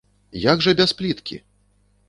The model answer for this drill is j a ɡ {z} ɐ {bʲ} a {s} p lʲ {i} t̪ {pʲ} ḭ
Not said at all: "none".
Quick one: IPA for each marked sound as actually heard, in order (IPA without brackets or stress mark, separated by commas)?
ʐ, bʲ, s, i, kʲ